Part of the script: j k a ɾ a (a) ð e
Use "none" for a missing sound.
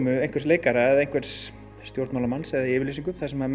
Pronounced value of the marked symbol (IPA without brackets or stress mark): ɛ